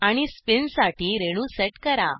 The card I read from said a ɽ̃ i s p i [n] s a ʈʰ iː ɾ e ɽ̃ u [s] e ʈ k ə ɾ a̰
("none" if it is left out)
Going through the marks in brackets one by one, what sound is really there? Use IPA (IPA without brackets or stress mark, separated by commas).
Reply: n, s